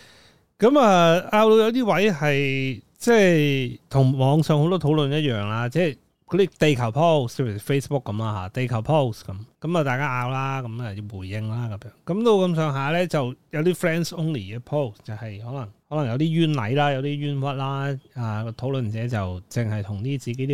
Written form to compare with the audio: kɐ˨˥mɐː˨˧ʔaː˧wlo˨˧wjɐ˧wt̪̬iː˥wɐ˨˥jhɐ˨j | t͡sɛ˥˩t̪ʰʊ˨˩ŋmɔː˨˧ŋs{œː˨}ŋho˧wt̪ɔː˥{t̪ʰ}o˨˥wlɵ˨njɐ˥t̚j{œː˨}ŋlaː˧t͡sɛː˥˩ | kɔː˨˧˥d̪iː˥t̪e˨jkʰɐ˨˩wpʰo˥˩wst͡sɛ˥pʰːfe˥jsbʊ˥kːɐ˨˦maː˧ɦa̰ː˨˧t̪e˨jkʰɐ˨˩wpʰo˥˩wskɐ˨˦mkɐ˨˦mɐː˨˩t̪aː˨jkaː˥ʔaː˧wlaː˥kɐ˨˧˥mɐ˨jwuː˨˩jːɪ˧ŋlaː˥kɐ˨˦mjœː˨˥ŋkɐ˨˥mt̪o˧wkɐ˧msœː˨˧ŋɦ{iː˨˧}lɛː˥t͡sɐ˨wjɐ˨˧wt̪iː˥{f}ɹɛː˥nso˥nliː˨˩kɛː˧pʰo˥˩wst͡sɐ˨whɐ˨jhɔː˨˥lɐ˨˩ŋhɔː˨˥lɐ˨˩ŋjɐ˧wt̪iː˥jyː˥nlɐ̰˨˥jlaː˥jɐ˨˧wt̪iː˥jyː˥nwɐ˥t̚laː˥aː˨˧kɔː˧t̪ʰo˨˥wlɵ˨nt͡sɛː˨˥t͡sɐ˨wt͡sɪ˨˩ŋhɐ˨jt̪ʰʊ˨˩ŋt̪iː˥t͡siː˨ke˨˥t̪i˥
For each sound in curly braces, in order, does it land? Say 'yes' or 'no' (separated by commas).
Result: yes, yes, yes, no, yes